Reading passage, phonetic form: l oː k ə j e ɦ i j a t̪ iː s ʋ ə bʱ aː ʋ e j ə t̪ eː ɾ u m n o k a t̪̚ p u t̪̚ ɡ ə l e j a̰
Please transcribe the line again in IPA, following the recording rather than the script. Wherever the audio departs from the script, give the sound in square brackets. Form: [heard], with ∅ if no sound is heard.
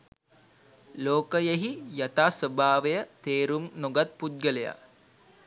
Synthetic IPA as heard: l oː k ə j e ɦ i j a t̪ [aː] s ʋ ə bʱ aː ʋ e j ə t̪ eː ɾ u m n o [ɡ] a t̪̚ p u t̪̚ ɡ ə l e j a̰